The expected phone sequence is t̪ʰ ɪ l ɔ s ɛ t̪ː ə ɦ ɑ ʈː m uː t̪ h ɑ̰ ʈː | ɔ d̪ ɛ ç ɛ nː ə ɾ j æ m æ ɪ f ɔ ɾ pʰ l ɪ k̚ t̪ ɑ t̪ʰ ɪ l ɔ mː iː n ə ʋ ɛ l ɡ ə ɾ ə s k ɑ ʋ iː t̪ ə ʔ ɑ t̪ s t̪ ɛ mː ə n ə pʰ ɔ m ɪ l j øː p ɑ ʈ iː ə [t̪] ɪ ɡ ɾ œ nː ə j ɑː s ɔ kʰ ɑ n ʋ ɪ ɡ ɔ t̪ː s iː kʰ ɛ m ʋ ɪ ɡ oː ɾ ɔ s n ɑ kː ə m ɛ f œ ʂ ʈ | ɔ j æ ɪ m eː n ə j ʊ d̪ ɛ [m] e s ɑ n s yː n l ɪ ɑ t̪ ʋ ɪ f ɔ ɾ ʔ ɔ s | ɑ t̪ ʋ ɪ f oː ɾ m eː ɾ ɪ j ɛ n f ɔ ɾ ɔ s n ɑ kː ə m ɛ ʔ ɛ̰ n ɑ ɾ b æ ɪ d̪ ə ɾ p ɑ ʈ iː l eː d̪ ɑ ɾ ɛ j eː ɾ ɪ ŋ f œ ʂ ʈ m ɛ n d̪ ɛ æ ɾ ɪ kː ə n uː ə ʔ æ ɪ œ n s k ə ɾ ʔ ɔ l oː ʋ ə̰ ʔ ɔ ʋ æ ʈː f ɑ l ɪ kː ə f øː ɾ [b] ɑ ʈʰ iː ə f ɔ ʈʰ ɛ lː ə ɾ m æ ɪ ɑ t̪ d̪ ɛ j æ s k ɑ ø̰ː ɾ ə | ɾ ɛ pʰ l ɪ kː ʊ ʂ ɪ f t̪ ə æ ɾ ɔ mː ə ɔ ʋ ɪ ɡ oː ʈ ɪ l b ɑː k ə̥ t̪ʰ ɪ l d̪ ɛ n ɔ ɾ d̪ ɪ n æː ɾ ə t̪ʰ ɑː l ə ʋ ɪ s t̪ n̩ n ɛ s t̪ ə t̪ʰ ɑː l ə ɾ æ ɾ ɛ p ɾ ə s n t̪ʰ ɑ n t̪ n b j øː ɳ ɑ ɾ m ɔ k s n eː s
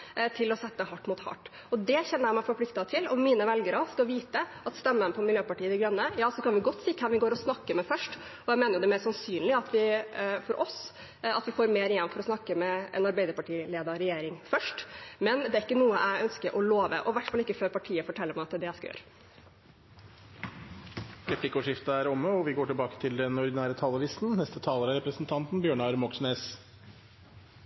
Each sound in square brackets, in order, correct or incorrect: incorrect, correct, incorrect

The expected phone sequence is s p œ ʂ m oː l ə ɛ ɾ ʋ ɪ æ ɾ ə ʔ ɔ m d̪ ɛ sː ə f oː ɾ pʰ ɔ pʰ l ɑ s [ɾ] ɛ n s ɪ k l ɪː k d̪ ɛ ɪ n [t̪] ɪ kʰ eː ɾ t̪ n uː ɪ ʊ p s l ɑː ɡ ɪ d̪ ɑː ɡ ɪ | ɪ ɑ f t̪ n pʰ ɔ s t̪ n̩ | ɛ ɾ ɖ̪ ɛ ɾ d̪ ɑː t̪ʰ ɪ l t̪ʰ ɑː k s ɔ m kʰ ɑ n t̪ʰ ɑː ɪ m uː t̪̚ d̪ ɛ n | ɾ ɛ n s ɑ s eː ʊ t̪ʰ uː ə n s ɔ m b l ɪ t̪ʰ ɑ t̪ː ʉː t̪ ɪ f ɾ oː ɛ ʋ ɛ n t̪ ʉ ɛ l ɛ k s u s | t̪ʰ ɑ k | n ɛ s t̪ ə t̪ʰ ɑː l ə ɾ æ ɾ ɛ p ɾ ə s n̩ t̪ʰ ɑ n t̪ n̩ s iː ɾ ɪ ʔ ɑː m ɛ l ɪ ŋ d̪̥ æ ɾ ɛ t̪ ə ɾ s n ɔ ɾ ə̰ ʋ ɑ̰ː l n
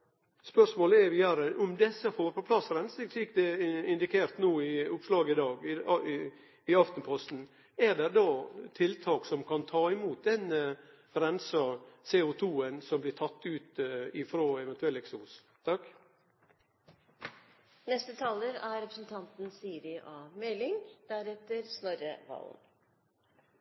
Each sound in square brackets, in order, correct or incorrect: correct, incorrect

